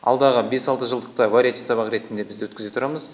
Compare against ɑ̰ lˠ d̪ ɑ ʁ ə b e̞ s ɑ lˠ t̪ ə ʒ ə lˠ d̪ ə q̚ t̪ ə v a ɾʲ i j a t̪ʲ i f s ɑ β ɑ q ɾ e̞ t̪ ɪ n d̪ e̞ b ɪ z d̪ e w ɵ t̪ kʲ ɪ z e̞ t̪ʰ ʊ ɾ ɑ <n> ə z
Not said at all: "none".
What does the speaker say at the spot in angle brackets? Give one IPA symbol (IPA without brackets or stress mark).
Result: m